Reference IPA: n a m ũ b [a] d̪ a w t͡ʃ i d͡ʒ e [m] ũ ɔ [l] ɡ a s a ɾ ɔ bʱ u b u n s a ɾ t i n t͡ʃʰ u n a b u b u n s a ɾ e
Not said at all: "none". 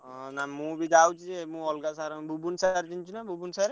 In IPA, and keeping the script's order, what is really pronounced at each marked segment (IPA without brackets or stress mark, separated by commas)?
i, m, l